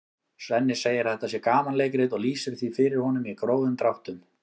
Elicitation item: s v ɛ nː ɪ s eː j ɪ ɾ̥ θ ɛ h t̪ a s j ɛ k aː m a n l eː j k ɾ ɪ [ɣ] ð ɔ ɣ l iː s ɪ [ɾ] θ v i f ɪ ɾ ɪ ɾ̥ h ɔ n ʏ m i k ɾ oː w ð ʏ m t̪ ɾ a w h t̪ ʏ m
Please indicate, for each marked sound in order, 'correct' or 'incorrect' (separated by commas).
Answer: incorrect, correct